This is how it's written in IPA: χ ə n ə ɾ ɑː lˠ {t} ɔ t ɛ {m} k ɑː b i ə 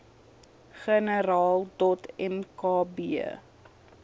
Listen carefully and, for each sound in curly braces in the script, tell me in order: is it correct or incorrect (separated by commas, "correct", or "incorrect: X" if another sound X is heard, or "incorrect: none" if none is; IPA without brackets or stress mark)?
incorrect: d, correct